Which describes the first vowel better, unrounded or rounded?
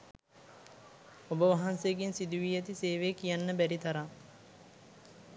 rounded